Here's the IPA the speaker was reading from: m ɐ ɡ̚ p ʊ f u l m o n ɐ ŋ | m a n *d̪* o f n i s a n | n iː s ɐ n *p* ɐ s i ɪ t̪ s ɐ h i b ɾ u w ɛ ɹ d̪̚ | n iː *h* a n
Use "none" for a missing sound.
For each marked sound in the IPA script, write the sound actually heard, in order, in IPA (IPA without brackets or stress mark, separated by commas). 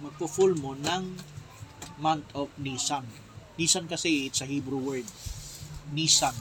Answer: t̪, k, s